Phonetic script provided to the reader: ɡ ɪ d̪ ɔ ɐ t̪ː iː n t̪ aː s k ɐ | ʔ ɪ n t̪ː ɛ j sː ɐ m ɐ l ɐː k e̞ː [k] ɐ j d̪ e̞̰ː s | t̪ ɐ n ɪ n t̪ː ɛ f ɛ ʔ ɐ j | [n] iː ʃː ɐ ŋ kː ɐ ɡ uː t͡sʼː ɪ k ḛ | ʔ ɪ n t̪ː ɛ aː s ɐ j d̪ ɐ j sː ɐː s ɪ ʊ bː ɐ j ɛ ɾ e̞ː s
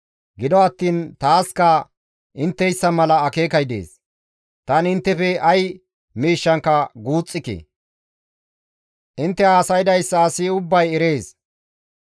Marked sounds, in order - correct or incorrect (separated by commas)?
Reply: correct, incorrect